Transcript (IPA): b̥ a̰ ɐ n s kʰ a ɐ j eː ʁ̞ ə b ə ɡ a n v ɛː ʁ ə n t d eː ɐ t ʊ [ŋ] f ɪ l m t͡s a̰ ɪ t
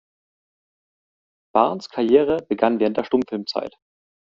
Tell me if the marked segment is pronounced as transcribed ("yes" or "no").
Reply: no